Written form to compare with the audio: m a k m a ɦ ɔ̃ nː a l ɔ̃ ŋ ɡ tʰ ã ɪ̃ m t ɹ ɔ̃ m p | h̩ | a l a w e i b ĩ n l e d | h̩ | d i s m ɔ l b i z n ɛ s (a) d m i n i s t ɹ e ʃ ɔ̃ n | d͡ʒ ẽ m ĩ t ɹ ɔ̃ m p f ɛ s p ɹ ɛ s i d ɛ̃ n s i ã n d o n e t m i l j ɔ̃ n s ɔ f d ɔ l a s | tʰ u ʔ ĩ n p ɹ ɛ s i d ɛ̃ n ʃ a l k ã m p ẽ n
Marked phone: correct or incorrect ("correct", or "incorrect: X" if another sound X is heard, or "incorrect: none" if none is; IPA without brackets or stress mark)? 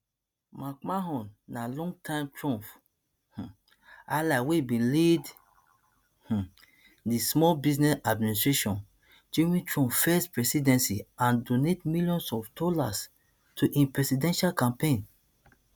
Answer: correct